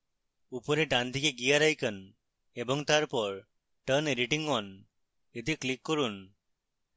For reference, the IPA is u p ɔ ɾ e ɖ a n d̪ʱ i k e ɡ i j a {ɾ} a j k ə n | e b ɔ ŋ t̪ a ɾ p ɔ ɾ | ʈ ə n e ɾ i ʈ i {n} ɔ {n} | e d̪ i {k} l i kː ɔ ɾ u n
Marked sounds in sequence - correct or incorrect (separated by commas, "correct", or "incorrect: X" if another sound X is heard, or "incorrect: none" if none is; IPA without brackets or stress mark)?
correct, incorrect: ŋ, correct, correct